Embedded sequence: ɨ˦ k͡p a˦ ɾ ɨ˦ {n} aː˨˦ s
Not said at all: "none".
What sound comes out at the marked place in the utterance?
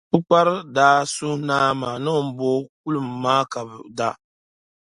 d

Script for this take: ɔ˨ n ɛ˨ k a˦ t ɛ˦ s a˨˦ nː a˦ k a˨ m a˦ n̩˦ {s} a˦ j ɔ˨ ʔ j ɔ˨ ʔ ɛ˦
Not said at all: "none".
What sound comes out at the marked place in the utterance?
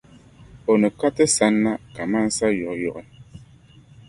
s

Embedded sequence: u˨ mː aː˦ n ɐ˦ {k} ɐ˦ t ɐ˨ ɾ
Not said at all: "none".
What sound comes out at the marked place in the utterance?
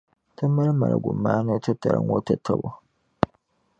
t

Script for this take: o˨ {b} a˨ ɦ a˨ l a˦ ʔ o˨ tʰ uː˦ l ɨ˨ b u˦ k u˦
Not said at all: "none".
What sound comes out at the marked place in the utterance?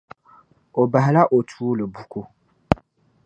b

